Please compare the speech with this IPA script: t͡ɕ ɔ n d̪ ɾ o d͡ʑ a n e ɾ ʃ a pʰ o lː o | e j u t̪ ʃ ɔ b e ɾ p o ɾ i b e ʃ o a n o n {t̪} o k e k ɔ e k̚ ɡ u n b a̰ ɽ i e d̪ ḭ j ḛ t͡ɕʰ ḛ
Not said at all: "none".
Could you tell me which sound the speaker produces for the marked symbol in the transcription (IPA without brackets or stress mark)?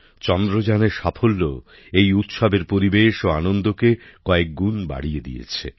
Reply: d̪